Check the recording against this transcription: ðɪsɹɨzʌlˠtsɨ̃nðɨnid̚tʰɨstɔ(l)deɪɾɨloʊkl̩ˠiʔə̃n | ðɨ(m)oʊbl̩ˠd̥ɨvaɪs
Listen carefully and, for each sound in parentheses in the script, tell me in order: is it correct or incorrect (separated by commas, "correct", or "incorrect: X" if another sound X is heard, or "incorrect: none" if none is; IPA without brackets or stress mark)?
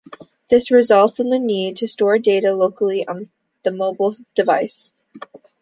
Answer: incorrect: ɹ, correct